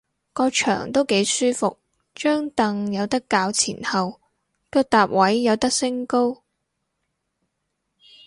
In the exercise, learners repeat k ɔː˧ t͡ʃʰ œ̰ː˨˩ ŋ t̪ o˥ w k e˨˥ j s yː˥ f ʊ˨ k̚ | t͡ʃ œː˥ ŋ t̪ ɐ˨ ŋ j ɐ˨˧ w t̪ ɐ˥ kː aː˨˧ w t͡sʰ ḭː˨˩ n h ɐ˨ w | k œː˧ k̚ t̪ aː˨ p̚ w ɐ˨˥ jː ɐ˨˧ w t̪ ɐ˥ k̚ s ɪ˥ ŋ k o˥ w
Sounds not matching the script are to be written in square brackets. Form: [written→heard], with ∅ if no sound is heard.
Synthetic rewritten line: k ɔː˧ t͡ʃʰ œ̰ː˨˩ ŋ t̪ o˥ w k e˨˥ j s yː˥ f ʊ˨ k̚ | t͡ʃ œː˥ ŋ t̪ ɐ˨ ŋ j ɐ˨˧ w t̪ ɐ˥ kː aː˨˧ w t͡sʰ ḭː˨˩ n h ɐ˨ w | k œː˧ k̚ t̪ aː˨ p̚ w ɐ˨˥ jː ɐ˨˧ w t̪ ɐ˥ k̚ s ɪ˥ ŋ k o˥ w